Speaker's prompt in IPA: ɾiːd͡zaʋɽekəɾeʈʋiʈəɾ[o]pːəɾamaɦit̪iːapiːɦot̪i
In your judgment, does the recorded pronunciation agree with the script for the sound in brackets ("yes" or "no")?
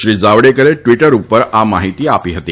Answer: no